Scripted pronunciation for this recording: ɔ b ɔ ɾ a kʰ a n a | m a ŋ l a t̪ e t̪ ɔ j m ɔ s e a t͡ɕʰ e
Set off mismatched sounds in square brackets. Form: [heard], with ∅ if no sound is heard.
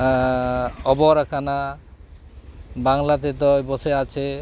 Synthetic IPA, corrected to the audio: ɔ b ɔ ɾ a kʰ a n a | [b] a ŋ l a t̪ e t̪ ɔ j [b] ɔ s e a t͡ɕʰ e